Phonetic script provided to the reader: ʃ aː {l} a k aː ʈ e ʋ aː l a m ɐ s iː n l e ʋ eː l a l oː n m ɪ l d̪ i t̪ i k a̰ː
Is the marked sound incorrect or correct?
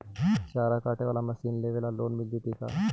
incorrect: ɾ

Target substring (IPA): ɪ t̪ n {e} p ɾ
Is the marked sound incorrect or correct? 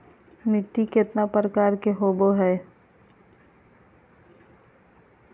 incorrect: a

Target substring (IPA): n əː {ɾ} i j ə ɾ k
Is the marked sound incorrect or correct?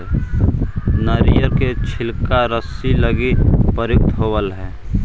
correct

